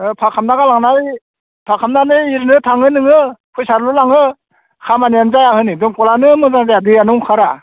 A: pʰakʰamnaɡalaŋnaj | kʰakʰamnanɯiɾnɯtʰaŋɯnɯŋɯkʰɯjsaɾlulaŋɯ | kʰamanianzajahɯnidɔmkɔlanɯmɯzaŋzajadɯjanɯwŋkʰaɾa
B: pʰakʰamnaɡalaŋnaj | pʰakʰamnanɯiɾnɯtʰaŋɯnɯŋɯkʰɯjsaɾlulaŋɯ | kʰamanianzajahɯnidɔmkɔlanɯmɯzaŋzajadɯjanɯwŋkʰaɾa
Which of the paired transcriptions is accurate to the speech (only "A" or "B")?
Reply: B